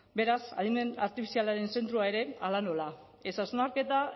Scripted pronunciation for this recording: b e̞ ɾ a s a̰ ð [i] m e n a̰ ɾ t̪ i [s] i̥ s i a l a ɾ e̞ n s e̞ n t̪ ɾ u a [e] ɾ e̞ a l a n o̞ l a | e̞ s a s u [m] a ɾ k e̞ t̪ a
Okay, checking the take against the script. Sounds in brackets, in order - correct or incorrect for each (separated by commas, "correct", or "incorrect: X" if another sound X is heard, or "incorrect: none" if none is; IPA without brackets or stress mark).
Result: correct, incorrect: f, correct, incorrect: n